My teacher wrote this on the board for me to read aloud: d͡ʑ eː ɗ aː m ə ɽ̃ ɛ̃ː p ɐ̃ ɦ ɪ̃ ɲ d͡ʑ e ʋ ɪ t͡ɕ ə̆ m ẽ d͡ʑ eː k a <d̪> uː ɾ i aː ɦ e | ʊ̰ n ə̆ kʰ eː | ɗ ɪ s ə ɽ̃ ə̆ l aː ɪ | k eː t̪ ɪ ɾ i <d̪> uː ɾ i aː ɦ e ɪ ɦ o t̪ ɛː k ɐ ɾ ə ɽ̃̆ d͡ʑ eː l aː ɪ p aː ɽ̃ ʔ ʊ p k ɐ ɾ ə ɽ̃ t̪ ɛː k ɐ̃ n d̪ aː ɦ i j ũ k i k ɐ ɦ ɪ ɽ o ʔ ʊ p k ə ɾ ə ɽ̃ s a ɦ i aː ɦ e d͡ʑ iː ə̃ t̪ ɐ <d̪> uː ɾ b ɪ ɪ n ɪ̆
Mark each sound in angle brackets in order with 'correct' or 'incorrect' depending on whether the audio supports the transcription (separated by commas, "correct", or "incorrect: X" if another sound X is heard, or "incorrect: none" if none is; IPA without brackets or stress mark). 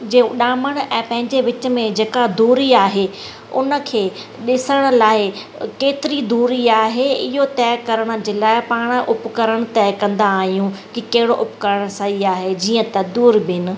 correct, correct, correct